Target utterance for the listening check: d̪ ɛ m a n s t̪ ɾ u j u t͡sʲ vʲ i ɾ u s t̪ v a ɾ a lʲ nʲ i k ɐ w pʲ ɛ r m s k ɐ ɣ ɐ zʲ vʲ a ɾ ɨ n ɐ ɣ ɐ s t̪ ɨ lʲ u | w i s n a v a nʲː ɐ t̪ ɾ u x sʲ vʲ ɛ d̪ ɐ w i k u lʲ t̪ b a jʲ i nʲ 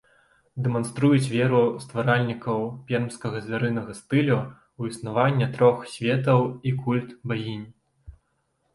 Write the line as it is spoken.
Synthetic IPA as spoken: d̪ ɛ m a n s t̪ ɾ u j u t͡sʲ vʲ ɛ ɾ u s t̪ v a ɾ a lʲ nʲ i k ɐ w pʲ ɛ r m s k ɐ ɣ ɐ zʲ vʲ a ɾ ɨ n ɐ ɣ ɐ s t̪ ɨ lʲ u | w i s n a v a nʲː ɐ t̪ ɾ ɔ x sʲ vʲ ɛ t̪ ɐ w i k u lʲ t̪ b a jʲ i nʲ